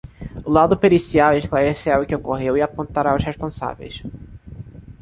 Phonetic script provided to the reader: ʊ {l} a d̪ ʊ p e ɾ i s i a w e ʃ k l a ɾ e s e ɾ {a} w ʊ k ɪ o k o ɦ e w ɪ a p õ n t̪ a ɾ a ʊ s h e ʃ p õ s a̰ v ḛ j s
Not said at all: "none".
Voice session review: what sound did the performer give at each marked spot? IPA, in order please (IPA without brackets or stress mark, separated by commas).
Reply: l, a